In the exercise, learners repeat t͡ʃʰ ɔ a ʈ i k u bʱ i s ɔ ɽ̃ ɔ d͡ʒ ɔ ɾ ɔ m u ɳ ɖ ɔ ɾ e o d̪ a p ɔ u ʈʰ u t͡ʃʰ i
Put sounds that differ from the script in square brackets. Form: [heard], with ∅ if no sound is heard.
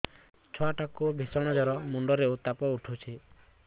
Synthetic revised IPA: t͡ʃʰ ɔ a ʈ [a] k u bʱ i s ɔ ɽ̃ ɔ d͡ʒ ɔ ɾ ɔ m u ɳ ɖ ɔ ɾ e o [t̪] a p ɔ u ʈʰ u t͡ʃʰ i